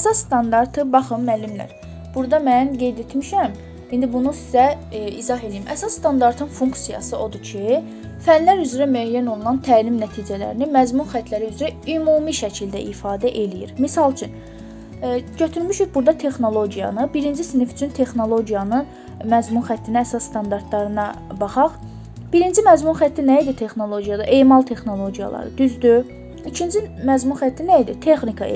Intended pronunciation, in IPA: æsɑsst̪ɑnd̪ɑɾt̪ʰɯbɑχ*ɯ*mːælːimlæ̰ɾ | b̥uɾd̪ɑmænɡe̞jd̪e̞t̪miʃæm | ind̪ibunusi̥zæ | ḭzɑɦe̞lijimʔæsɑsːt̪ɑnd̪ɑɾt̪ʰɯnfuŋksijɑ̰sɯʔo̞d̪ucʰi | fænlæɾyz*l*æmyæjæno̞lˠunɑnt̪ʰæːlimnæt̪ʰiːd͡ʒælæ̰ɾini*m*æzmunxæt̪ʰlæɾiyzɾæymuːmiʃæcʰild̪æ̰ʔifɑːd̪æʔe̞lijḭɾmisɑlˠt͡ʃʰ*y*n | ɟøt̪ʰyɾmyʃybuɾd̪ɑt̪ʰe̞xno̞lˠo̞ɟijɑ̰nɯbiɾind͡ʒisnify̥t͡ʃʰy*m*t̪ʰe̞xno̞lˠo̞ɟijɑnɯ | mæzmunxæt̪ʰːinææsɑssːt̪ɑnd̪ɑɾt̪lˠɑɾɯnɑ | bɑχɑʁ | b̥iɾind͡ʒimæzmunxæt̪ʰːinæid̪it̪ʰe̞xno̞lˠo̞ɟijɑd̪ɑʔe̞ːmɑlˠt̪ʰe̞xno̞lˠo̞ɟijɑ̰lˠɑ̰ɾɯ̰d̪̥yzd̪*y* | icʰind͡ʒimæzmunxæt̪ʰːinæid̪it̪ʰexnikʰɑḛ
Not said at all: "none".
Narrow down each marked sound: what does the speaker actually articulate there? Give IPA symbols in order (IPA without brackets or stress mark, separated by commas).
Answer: ɯ, ɾ, m, y, n, y